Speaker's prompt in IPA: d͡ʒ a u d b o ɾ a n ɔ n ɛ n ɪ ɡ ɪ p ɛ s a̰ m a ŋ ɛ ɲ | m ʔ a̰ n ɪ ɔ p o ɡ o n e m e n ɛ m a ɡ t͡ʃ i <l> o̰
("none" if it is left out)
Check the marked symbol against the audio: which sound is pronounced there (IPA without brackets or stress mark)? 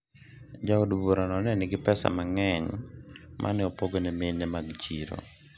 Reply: ɾ